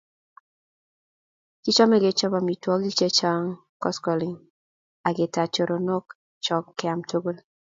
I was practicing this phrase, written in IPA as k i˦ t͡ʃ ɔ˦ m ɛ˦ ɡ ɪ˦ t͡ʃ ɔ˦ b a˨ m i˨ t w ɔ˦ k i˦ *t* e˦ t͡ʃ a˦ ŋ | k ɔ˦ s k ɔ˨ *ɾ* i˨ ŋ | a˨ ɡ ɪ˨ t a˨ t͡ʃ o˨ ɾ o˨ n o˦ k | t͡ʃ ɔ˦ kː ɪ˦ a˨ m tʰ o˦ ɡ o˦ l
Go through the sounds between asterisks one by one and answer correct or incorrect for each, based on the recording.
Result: incorrect: t͡ʃ, incorrect: l

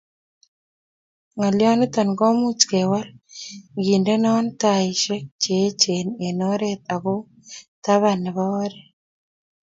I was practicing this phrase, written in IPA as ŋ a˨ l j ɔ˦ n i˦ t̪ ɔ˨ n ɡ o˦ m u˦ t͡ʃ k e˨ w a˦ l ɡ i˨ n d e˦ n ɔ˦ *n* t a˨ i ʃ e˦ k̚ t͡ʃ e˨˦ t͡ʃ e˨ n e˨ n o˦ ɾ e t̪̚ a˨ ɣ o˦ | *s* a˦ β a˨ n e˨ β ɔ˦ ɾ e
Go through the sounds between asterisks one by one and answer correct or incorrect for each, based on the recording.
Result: correct, incorrect: t

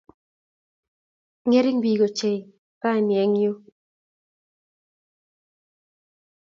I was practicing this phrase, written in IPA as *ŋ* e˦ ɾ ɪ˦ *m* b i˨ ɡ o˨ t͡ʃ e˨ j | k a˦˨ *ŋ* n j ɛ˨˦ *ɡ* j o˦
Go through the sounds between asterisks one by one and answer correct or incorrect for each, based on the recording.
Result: correct, incorrect: ŋ, incorrect: none, incorrect: ŋ

